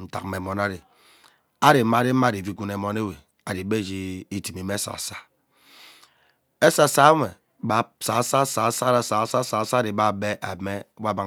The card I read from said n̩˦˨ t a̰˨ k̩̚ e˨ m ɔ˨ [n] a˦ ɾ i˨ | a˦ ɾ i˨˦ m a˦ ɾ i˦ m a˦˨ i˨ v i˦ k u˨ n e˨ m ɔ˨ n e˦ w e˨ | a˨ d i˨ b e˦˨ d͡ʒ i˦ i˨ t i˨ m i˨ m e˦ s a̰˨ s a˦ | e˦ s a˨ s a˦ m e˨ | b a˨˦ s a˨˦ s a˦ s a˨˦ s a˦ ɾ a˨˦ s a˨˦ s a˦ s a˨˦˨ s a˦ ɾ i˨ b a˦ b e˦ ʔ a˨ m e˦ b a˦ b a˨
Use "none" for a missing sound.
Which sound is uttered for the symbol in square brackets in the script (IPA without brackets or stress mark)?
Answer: n